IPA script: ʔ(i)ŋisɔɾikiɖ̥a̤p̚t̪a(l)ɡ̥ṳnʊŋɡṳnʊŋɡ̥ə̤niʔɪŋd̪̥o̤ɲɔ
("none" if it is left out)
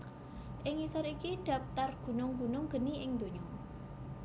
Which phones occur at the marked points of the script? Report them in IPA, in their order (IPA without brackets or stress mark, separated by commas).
ɪ, r